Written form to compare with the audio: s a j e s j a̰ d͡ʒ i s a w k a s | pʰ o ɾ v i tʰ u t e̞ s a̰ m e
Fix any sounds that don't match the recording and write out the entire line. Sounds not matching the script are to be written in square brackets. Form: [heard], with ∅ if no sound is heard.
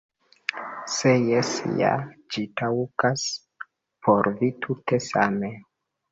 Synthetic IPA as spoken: s [e] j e s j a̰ d͡ʒ i [t] a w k a s | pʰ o ɾ v i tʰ u t e̞ s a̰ m e